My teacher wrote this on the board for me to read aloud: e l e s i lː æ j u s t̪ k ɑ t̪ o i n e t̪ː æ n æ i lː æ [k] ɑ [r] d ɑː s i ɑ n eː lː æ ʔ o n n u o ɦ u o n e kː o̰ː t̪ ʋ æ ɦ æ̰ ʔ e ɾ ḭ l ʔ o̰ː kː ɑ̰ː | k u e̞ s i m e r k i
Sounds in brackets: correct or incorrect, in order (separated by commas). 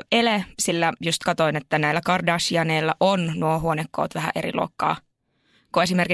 correct, correct